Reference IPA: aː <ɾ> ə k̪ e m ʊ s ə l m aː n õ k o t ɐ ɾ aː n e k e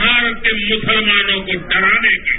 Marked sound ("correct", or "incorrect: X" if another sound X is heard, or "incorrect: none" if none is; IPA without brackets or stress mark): correct